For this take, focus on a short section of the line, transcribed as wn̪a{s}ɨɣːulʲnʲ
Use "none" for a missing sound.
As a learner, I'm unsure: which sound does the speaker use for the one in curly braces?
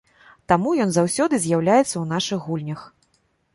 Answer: ʂ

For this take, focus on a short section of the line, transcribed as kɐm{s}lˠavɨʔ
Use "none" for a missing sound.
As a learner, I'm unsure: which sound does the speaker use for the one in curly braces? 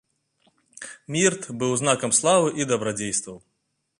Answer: s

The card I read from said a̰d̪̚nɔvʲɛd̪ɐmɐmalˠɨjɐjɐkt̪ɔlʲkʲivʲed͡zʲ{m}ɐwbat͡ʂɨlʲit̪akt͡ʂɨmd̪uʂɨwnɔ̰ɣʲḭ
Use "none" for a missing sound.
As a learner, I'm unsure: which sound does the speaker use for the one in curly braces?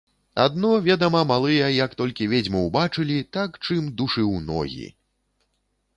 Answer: m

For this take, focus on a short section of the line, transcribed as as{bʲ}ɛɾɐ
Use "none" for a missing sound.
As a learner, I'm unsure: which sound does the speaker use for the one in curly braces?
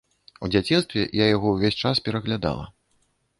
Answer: pʲ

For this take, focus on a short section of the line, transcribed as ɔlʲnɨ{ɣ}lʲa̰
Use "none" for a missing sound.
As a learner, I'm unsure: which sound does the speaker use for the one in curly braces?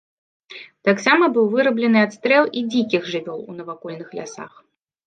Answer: x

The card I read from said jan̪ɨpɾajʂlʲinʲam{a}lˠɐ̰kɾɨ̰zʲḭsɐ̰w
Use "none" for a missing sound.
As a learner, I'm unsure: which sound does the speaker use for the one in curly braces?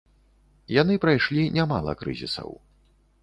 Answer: a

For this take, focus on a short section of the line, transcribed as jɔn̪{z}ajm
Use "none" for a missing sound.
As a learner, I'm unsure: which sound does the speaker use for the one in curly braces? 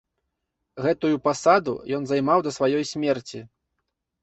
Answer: z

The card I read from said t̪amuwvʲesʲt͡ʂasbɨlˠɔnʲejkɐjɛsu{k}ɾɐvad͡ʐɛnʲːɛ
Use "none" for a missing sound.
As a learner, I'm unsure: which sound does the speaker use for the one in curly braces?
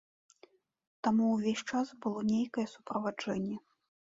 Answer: p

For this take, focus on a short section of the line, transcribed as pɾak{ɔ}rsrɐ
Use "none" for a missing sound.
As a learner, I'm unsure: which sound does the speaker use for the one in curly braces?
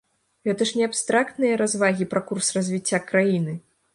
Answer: u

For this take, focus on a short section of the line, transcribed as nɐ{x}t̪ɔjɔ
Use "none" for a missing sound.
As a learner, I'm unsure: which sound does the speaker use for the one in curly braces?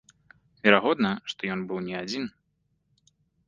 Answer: ʂ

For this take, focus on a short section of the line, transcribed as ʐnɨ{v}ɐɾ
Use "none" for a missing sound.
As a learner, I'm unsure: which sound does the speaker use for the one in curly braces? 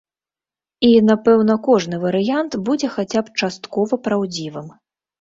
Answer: v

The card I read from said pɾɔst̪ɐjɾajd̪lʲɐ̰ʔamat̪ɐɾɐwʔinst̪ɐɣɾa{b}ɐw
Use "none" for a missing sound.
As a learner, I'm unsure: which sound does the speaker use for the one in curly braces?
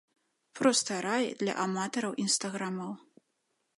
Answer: m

